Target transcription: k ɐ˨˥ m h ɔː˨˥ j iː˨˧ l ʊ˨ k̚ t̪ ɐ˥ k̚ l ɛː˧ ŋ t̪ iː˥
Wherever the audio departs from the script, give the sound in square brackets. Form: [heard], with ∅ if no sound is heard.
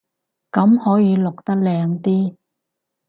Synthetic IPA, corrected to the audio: k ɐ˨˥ m h ɔː˨˥ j iː˨˧ l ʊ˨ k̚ t̪ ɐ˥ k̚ l ɛː˧ ŋ t̪ iː˥